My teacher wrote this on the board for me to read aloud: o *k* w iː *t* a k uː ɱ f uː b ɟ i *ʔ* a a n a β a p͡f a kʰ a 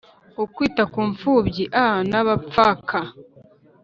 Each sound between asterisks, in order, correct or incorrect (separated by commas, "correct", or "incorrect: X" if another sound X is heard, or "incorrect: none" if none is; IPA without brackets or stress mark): correct, correct, correct